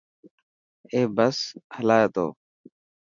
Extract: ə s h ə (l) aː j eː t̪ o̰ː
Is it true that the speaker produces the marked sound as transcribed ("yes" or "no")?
yes